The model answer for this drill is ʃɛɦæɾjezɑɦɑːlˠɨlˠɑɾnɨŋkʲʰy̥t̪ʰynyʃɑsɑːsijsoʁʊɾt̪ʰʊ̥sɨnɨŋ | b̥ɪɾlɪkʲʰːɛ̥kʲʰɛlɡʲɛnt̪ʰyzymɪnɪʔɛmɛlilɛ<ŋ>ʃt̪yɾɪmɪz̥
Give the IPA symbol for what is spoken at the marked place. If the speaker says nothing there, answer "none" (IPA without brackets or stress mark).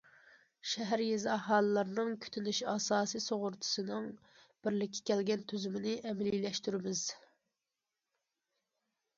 none